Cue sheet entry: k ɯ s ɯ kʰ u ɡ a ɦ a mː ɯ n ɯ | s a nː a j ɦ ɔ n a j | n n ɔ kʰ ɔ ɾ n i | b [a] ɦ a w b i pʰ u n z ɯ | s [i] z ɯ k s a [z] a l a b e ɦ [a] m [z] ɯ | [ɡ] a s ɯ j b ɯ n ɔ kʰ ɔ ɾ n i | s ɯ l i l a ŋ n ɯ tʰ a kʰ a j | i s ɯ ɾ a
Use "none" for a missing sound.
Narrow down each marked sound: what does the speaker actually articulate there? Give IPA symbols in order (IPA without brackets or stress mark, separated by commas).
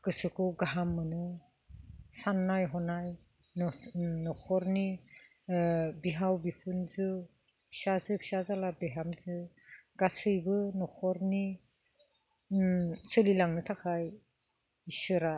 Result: i, a, z, a, z, ɡ